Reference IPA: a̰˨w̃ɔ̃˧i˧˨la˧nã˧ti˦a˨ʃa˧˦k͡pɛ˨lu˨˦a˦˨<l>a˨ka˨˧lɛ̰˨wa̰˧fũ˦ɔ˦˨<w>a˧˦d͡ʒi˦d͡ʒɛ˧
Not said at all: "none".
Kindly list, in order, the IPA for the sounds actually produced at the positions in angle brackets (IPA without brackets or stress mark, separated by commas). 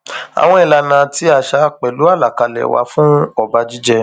l, b